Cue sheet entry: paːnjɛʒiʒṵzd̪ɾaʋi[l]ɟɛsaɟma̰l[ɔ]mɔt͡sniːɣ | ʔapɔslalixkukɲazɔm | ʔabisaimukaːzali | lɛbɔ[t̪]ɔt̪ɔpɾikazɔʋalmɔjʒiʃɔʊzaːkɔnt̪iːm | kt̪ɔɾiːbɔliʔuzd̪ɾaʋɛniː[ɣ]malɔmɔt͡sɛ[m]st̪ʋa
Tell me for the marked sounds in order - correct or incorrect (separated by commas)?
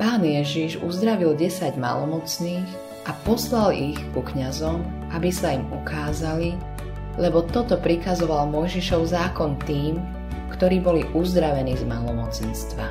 correct, correct, correct, incorrect, incorrect